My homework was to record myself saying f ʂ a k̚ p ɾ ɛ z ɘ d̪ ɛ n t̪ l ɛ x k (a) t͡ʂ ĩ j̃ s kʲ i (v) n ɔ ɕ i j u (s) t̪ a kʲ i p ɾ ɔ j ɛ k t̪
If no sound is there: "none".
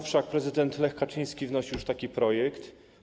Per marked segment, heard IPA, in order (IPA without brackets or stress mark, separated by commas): a, v, ʂ